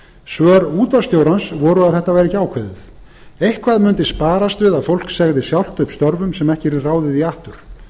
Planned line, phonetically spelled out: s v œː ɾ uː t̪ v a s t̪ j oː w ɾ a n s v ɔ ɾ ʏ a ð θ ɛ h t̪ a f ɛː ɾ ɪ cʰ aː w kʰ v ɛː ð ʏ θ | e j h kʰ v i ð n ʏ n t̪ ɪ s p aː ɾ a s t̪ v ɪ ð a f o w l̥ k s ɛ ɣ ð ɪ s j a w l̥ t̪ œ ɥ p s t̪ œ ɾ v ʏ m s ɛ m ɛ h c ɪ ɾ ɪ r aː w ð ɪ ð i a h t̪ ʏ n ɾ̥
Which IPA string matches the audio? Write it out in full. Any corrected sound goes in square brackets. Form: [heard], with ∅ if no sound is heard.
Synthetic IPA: s v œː ɾ uː t̪ v a s t̪ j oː w ɾ a n s v ɔ ɾ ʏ a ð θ ɛ h t̪ a [v] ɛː ɾ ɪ [c] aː w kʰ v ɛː ð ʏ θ | e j h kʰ v [a] ð [m] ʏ n t̪ ɪ s p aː ɾ a s t̪ v ɪ ð a f o w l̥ k s ɛ ɣ ð ɪ s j a w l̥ t̪ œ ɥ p s t̪ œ ɾ v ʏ m s ɛ m ɛ h c ɪ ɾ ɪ r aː w ð ɪ ð i a h t̪ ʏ [∅] ɾ̥